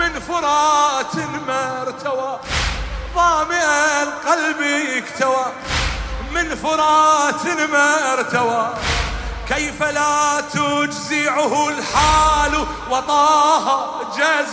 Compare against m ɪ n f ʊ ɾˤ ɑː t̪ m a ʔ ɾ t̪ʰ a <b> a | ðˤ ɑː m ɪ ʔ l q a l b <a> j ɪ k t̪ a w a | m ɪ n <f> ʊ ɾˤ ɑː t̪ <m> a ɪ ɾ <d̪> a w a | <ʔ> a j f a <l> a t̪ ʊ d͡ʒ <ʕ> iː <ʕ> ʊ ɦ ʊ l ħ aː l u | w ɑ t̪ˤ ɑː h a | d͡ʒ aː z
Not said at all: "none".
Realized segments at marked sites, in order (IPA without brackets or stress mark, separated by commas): w, i, f, m, t̪, k, l, z, ʕ